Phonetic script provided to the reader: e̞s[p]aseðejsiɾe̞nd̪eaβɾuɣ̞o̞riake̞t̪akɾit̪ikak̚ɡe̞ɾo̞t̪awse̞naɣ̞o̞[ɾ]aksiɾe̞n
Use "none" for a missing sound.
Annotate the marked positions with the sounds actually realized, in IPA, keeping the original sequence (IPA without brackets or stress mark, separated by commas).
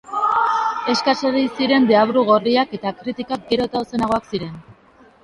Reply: k, none